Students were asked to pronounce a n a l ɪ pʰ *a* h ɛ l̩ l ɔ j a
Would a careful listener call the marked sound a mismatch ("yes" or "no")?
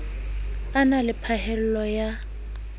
no